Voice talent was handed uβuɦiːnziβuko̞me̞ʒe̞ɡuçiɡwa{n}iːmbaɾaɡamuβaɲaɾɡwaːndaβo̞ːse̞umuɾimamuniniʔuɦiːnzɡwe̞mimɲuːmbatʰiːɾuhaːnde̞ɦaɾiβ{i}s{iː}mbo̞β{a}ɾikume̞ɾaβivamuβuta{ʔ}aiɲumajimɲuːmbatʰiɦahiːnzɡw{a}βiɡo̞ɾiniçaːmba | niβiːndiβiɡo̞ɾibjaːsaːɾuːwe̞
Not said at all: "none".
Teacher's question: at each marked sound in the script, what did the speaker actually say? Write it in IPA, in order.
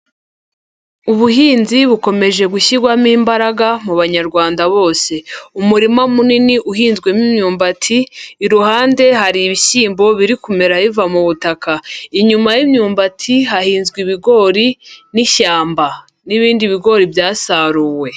m, i, iː, i, k, i

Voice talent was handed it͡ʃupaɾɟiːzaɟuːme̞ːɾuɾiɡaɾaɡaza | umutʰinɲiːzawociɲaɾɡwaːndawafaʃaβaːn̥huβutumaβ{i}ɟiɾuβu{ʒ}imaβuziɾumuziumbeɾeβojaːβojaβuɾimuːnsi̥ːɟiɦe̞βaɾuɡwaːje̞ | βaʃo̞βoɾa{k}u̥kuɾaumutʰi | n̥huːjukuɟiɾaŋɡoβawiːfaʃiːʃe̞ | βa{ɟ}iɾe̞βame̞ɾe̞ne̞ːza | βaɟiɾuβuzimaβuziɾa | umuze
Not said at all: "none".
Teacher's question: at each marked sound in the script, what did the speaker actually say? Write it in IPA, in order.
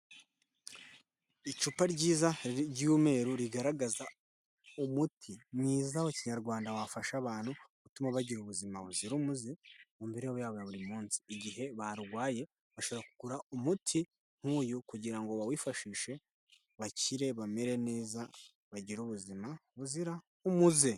a, z, k, c

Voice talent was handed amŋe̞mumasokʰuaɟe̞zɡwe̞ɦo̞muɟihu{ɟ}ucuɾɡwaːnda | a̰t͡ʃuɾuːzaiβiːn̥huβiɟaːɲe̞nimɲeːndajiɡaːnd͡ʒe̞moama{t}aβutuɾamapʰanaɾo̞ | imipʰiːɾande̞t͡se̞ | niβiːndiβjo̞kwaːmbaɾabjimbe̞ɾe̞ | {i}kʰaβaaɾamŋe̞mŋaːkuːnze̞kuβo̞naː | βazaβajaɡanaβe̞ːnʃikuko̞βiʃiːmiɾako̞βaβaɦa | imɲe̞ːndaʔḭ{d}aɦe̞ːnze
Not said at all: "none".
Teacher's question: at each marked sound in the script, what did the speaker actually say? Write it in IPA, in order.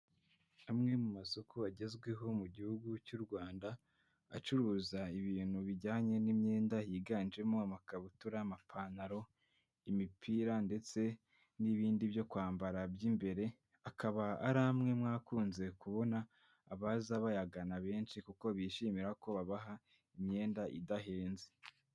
ɡ, k, a, d

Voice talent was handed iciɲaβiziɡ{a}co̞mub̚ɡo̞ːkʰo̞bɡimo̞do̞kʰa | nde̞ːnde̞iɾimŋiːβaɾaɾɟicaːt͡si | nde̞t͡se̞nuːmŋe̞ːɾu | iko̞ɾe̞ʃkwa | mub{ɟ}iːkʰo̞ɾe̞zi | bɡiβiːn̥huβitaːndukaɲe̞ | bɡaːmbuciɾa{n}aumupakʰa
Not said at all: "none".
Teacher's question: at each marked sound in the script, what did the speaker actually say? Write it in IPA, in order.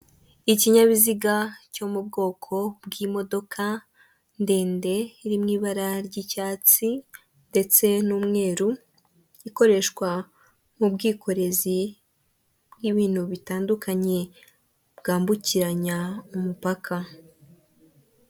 a, ɡ, ɲ

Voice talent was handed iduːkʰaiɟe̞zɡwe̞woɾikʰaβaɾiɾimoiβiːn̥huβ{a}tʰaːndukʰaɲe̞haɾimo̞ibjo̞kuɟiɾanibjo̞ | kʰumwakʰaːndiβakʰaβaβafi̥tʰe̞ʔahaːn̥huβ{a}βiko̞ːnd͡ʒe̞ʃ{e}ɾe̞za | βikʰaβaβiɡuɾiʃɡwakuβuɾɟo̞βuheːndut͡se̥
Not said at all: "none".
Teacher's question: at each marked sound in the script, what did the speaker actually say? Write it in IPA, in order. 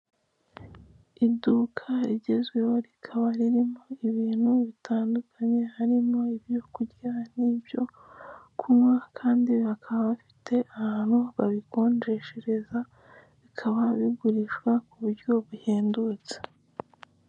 i, a, e

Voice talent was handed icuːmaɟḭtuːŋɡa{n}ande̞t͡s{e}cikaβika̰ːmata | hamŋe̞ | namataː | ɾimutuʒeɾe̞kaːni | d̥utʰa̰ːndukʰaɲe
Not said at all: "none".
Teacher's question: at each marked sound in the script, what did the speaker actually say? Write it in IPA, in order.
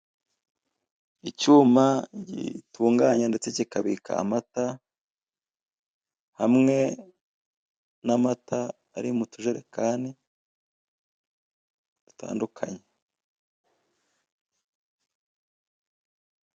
ɲ, e

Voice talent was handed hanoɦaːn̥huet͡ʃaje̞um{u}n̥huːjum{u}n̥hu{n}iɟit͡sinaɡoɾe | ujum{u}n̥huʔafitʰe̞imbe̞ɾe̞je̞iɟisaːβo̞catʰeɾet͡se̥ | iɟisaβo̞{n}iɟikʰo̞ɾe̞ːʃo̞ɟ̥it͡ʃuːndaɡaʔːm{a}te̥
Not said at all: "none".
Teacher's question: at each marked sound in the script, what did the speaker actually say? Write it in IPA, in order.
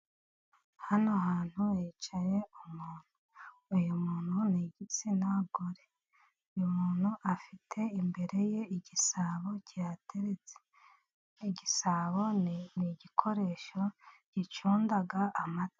uː, uː, n, uː, n, a

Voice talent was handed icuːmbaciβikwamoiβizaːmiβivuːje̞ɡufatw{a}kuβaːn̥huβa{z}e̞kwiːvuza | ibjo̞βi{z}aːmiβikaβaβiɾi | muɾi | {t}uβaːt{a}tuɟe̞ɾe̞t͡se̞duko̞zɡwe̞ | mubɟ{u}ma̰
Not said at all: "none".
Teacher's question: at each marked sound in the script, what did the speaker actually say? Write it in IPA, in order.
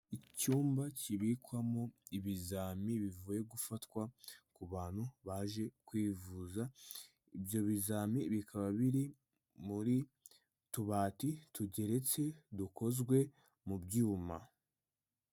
a, ʒ, z, t, i, uː

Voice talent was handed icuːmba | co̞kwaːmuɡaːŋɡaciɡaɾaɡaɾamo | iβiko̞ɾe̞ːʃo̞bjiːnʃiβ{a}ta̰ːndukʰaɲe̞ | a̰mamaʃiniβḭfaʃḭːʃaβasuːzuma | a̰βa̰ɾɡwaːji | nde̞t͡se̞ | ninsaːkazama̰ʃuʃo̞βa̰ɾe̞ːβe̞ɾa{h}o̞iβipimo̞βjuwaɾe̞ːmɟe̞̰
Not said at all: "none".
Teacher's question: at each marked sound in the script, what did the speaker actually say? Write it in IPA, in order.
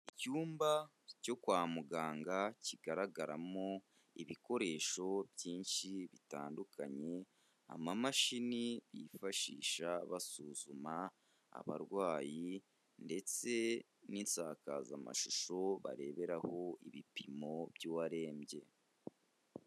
i, h

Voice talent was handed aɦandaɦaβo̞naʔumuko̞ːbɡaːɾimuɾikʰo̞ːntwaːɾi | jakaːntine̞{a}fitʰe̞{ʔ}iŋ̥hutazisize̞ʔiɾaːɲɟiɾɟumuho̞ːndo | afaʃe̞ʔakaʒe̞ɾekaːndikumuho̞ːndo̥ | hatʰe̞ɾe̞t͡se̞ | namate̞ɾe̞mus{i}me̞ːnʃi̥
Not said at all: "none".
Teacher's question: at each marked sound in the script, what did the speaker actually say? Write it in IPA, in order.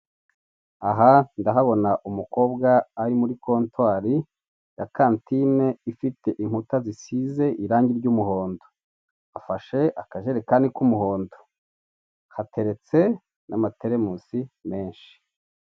i, ʔ, i

